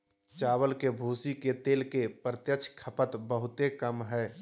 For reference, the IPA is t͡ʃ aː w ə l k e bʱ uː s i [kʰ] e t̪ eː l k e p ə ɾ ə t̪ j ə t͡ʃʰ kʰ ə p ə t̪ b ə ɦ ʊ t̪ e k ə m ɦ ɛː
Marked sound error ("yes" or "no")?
yes